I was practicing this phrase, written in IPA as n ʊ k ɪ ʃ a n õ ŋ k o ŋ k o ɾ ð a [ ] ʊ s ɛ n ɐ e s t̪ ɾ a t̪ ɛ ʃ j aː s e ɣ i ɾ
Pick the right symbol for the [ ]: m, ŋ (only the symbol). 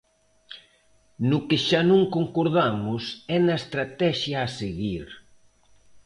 m